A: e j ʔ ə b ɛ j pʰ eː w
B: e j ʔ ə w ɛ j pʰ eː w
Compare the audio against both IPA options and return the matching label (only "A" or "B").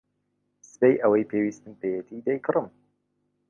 B